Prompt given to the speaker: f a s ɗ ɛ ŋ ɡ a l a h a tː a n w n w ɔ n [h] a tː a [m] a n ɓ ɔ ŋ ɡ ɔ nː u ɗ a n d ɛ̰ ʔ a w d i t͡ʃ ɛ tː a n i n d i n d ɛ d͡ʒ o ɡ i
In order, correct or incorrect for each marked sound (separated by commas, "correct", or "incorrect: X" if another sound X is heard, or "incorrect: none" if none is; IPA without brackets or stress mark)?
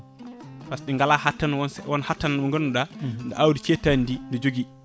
correct, incorrect: n